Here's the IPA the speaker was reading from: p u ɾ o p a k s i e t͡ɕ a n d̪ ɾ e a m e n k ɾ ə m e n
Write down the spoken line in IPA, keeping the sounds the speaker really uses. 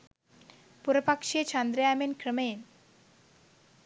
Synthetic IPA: p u ɾ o p a k ʃ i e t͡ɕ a n d̪ ɾ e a m e n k ɾ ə m e n